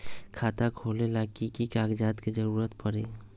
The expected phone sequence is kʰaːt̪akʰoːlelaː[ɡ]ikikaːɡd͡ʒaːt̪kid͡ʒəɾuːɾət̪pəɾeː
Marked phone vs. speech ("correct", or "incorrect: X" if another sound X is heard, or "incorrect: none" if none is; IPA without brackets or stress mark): incorrect: k